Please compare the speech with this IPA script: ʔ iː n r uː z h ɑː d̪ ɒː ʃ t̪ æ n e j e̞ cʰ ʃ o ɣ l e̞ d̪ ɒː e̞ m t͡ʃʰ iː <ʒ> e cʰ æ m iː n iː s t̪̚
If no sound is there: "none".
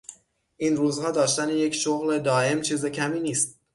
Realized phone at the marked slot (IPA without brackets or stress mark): z